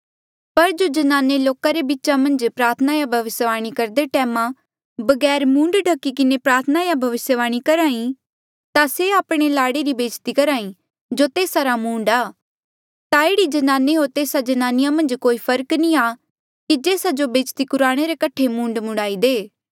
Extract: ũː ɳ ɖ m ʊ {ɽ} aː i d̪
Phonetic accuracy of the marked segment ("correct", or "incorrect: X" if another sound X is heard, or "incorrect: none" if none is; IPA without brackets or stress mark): correct